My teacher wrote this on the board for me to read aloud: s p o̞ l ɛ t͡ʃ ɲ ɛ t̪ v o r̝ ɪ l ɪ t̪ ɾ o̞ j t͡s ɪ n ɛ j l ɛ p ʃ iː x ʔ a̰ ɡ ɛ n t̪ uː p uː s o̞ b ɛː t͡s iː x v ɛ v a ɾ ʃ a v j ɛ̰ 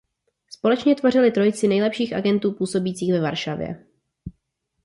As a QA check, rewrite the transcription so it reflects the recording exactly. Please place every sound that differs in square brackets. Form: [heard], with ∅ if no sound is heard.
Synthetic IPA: s p o̞ l ɛ t͡ʃ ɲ ɛ t̪ v o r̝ ɪ l ɪ t̪ ɾ o̞ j t͡s ɪ n ɛ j l ɛ p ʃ iː x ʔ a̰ ɡ ɛ n t̪ uː p uː s o̞ b [iː] t͡s iː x v ɛ v a ɾ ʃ a v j ɛ̰